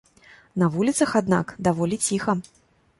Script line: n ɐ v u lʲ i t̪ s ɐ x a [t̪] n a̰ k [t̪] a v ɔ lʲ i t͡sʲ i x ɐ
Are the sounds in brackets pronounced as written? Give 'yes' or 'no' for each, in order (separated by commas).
no, no